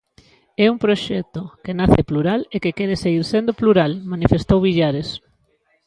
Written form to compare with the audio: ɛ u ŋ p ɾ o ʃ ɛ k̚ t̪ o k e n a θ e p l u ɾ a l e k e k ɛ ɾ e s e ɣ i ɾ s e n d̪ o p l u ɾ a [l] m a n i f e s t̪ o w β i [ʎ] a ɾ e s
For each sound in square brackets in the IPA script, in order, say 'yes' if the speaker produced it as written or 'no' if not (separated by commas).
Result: yes, yes